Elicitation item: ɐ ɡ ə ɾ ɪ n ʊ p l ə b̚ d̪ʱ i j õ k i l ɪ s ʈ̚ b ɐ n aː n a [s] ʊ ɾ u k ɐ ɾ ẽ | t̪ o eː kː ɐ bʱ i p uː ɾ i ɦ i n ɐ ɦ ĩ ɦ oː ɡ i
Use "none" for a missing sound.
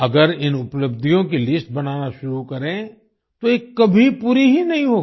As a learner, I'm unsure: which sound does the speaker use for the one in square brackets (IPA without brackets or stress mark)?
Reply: ʃ